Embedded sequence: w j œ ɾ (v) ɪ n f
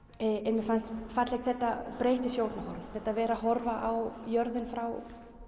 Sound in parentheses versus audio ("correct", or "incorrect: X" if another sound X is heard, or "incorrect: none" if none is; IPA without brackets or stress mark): incorrect: ð